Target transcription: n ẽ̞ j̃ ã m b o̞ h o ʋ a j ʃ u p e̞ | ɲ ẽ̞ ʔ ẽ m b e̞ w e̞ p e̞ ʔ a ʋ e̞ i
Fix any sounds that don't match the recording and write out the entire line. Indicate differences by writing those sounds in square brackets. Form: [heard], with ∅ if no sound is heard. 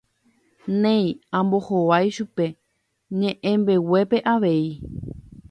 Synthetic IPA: n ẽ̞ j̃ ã m b o̞ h o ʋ a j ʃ u p e̞ | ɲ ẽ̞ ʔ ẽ m b e̞ w e̞ p e̞ ʔ a ʋ e̞ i